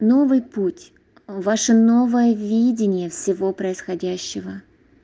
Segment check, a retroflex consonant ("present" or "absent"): present